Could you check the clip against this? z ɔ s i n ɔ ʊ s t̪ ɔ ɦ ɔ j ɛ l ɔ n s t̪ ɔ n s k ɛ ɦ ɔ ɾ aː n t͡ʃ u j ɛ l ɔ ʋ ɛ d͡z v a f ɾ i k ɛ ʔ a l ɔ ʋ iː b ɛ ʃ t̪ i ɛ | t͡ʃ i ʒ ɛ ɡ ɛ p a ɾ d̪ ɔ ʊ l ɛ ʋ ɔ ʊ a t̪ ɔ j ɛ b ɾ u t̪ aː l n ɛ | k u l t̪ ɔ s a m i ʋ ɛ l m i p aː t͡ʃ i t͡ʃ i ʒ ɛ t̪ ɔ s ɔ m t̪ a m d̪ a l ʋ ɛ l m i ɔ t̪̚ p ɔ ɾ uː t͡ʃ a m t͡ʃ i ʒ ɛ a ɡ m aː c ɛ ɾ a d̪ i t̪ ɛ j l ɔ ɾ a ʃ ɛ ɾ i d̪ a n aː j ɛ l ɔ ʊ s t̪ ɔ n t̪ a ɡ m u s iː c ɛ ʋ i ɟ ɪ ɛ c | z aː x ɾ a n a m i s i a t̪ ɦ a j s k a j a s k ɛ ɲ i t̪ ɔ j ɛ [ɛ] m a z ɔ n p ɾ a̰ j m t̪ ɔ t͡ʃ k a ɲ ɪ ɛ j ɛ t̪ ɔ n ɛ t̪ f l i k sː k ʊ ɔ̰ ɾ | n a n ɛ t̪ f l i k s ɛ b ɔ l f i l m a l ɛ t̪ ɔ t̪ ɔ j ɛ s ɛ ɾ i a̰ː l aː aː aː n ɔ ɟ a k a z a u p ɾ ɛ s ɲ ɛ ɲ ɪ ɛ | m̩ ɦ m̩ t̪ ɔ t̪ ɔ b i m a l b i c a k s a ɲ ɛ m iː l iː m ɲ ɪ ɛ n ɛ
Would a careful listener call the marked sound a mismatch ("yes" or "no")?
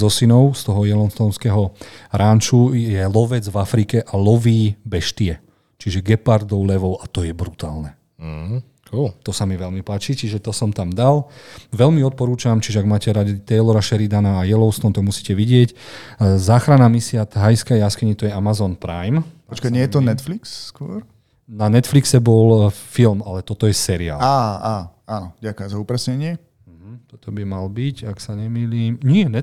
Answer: yes